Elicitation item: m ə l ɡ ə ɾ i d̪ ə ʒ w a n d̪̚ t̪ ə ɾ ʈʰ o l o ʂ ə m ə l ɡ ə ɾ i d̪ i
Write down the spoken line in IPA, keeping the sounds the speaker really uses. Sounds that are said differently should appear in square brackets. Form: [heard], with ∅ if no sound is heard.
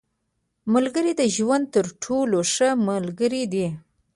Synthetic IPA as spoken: m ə l ɡ ə ɾ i d̪ ə ʒ w a n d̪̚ t̪ ə ɾ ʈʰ o l o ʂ ə m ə l ɡ ə ɾ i d̪ i